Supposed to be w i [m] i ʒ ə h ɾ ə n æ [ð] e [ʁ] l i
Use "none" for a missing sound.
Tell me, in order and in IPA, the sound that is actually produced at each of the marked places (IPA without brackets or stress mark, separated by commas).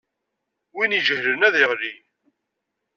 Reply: n, ð, ʁ